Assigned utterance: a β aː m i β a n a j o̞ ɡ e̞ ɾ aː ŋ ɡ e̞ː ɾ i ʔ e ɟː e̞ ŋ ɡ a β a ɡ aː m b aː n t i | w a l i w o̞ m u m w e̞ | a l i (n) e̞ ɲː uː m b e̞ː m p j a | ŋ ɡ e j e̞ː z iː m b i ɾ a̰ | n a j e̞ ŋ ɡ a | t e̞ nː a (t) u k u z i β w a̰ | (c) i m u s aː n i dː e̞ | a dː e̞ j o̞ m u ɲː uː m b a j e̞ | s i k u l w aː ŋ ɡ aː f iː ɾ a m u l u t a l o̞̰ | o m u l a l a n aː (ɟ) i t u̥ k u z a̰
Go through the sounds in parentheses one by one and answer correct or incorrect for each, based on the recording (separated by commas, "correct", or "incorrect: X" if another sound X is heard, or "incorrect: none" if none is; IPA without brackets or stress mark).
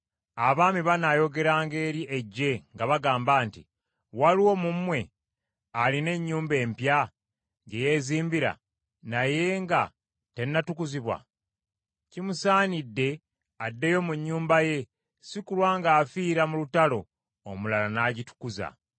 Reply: correct, correct, correct, correct